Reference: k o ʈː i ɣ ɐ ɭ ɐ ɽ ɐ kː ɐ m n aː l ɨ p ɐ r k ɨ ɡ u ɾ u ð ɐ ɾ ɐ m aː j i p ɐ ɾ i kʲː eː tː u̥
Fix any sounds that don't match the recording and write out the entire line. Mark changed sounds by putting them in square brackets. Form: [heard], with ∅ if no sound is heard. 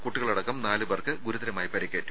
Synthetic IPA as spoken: k [u] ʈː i ɣ ɐ ɭ ɐ ɽ ɐ kː ɐ m n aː l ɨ [b] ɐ r k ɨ ɡ u ɾ u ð ɐ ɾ ɐ m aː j i p ɐ ɾ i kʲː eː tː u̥